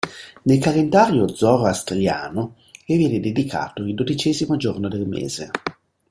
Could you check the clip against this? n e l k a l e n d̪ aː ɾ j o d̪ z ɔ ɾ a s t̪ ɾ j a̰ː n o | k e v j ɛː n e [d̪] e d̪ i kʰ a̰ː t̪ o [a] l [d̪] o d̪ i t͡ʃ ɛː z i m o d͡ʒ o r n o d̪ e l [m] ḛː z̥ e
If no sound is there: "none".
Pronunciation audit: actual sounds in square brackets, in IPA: d̪, i, d̪, m

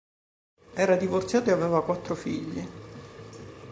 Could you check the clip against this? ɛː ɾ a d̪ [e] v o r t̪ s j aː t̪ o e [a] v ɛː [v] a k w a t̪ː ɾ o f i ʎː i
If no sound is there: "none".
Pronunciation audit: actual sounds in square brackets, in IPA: i, a, v

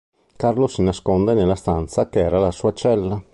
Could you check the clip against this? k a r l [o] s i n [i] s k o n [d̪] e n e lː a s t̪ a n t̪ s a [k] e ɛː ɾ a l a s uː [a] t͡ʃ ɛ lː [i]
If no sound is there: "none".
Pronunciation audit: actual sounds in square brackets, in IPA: o, a, d̪, k, a, a

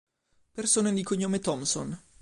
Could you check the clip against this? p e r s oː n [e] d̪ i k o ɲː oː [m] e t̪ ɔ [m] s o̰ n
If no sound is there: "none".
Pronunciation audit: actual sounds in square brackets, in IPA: e, m, m

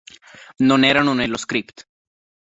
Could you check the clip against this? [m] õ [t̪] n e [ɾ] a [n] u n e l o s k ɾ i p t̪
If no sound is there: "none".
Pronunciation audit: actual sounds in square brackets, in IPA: n, none, ɾ, n

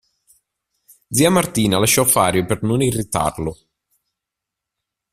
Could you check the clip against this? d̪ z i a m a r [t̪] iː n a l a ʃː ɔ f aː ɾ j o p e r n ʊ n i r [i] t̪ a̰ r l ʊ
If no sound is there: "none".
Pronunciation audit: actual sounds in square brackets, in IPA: t̪, i

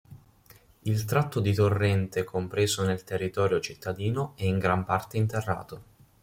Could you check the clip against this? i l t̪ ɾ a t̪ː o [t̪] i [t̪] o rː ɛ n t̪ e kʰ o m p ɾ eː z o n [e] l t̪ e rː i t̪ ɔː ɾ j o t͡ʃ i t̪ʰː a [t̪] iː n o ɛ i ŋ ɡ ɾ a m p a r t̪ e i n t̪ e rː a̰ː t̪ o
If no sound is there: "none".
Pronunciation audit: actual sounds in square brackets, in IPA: d̪, t̪, e, d̪

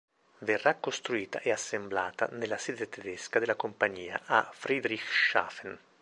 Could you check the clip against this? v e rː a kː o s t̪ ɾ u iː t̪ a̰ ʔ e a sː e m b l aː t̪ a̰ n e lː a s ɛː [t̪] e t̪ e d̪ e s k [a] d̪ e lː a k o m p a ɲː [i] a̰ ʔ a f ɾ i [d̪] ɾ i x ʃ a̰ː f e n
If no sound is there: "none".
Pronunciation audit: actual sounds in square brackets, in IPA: d̪, a, iː, d̪

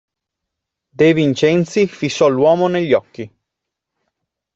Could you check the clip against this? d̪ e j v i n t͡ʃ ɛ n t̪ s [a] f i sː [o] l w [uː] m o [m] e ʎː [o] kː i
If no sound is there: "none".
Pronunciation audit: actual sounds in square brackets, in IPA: i, ɔ, ɔː, n, ɔ

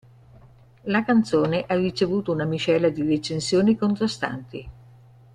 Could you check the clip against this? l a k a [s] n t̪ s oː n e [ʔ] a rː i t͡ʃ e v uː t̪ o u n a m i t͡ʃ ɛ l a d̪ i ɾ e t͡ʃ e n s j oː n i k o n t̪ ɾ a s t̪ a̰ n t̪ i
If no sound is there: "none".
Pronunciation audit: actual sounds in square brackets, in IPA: none, ʔ

